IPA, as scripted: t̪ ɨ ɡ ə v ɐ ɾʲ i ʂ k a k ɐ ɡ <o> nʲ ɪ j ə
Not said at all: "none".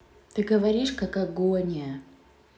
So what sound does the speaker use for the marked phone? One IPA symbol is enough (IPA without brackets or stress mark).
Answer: o